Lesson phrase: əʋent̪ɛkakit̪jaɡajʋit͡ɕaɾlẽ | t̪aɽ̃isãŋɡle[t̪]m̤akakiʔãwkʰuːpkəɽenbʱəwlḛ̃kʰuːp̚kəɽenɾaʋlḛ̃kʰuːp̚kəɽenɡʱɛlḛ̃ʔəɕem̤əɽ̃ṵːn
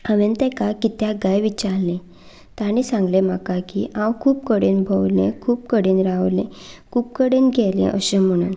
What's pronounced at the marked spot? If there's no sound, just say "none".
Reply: none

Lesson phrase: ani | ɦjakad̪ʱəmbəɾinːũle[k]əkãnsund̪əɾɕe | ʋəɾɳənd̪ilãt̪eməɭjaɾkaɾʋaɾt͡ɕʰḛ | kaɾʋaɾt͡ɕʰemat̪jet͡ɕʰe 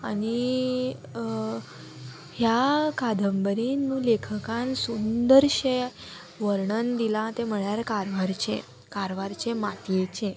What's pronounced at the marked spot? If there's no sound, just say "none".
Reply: kʰ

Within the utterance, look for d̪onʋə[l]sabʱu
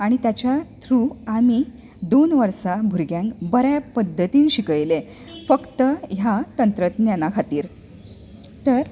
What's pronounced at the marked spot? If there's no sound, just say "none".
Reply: ɾ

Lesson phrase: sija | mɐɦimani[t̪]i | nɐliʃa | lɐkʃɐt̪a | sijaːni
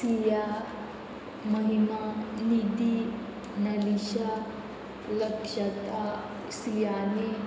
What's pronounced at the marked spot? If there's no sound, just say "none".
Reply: d̪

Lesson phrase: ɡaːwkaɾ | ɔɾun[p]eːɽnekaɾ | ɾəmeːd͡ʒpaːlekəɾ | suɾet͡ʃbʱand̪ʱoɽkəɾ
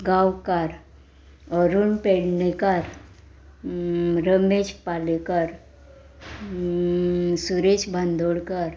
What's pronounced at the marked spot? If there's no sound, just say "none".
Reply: p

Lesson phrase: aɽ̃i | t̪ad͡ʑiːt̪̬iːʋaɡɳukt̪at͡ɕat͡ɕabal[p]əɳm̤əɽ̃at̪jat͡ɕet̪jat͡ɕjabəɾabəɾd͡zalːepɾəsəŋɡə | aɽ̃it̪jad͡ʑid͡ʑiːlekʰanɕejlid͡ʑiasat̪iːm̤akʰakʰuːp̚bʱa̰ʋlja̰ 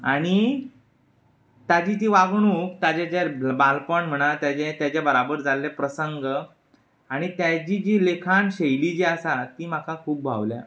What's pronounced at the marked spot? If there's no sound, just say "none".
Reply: p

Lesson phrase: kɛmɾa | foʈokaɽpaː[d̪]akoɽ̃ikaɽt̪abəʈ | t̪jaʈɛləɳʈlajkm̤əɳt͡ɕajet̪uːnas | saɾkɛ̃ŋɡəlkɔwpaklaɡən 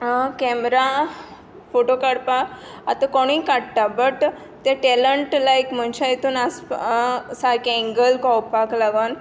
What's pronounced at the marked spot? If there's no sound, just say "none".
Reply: t̪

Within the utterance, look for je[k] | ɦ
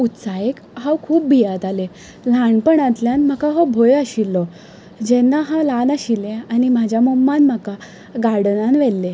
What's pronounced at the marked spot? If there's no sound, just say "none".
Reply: k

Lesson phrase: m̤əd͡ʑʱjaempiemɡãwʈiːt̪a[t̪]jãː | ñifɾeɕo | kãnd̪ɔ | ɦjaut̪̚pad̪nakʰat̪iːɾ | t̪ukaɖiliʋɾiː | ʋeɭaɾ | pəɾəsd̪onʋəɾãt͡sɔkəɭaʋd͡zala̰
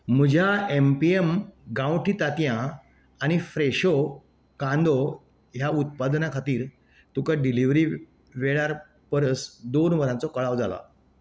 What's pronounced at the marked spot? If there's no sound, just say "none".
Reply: t̪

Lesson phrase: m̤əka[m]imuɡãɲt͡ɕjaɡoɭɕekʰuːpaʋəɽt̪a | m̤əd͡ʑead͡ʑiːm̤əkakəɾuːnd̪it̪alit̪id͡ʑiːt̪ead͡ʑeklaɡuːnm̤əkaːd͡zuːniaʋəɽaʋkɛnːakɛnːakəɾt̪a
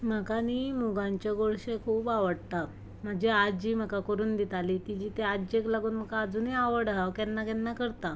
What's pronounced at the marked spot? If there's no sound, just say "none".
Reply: n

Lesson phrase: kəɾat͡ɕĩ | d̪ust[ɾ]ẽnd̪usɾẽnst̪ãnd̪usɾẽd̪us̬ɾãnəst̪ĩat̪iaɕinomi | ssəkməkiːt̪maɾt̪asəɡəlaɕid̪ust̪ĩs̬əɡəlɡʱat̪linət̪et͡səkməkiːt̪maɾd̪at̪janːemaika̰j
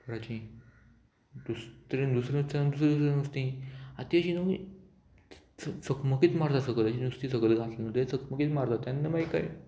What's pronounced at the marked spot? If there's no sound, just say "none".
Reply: ɾ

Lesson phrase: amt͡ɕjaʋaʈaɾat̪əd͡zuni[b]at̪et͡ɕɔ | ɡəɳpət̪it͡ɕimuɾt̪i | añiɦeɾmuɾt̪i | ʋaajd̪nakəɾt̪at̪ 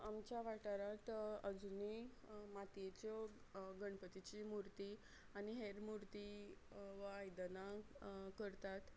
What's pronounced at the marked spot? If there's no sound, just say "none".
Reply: m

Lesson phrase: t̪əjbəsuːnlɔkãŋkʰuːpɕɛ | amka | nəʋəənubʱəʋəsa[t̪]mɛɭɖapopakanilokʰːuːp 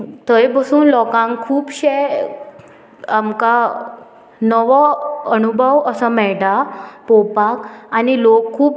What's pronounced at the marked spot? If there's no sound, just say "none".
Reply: none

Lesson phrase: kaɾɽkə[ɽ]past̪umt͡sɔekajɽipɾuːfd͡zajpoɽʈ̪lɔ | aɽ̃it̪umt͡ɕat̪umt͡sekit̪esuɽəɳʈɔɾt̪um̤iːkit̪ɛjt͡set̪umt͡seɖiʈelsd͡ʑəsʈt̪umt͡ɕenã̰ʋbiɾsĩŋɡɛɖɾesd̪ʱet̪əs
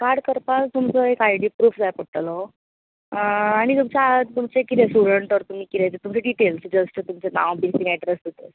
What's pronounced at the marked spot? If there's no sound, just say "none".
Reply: ɾ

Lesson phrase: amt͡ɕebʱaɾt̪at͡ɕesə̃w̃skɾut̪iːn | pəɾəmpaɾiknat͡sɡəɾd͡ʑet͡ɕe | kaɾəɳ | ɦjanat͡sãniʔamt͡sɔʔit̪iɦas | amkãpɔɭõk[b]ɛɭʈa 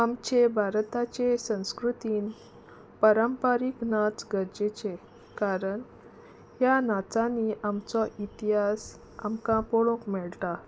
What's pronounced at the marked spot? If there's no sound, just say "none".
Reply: m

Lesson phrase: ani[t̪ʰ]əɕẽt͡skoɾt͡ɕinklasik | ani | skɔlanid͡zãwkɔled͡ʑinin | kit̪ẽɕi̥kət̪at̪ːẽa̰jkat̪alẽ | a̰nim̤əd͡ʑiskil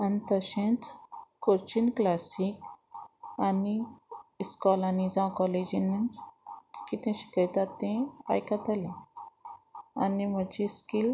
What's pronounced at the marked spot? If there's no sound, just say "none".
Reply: t̪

